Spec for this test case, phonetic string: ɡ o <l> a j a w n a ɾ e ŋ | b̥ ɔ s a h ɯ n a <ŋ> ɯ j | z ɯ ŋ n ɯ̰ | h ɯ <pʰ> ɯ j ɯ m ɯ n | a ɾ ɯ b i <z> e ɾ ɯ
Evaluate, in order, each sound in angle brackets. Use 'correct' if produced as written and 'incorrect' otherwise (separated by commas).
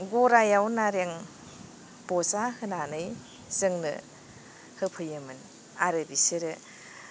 incorrect, incorrect, correct, incorrect